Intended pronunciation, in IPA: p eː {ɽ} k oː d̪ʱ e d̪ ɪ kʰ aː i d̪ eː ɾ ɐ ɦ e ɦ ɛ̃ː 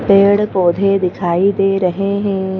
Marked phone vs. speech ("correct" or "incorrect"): correct